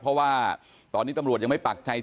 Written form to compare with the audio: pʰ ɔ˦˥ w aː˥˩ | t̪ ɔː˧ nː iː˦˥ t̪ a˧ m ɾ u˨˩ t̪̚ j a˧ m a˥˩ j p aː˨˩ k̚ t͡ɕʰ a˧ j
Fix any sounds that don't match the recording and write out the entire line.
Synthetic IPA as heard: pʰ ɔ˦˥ w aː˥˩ | t̪ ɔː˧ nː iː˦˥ t̪ a˧ m ɾ u˨˩ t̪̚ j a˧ m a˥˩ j p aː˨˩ k̚ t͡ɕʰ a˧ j